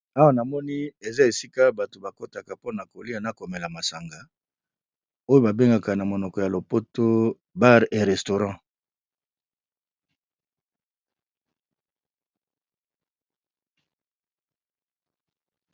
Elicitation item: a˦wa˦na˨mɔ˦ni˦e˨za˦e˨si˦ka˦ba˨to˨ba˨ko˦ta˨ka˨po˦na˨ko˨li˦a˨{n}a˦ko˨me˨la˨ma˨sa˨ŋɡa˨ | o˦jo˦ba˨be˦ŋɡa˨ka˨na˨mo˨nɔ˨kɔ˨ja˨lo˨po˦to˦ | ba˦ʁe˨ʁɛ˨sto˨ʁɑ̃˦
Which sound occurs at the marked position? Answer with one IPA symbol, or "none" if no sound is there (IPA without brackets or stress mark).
n